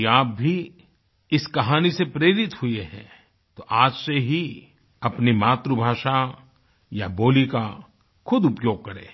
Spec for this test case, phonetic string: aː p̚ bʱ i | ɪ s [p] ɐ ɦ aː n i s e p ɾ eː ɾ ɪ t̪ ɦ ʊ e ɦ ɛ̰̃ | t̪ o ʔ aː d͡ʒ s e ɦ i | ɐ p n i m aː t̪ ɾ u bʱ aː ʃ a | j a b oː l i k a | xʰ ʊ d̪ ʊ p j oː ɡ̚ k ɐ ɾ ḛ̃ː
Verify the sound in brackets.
incorrect: k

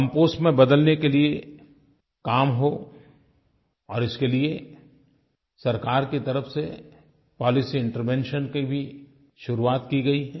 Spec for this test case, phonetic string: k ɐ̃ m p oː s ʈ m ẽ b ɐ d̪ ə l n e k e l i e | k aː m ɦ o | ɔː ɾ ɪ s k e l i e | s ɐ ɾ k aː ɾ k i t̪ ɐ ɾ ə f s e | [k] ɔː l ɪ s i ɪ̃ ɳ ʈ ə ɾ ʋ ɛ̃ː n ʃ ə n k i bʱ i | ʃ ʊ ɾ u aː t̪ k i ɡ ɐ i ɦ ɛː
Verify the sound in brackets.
incorrect: p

